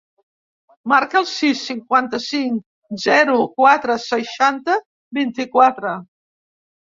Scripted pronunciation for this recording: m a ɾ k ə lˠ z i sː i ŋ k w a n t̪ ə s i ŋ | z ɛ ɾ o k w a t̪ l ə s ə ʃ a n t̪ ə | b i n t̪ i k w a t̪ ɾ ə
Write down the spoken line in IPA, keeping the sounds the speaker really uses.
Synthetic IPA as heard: m a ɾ k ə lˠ s i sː i ŋ k w a n t̪ ə s i ŋ | z ɛ ɾ u k w a t̪ ɾ ə s ə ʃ a n t̪ ə | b i n t̪ i k w a t̪ ɾ ə